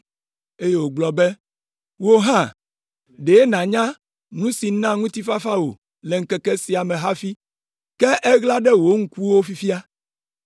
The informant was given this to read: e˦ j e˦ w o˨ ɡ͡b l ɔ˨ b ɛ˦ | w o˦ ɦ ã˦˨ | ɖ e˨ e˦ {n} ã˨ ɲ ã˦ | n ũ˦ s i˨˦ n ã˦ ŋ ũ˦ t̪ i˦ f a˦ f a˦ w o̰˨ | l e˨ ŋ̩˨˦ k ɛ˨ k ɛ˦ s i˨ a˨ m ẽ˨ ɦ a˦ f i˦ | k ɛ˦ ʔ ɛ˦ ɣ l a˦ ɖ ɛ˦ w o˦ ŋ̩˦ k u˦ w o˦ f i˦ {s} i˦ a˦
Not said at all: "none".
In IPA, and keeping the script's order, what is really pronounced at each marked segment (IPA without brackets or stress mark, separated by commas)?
n, f